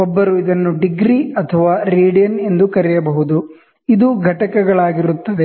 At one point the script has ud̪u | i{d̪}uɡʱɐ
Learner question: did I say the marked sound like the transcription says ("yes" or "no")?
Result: yes